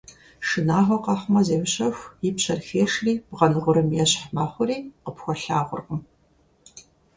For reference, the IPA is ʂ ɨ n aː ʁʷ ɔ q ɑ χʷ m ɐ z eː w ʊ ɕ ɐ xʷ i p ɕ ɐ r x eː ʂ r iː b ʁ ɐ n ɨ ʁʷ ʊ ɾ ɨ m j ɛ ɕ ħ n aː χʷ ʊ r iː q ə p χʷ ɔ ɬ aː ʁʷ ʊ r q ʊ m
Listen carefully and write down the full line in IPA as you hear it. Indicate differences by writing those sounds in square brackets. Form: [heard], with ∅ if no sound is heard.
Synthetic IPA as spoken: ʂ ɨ n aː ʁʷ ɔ q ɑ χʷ m ɐ z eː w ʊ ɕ ɐ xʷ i p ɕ ɐ r x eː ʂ r iː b ʁ ɐ n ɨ ʁʷ ʊ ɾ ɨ m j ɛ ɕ ħ [m] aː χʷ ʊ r iː q ə p [xʷ] ɔ ɬ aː ʁʷ ʊ r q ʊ m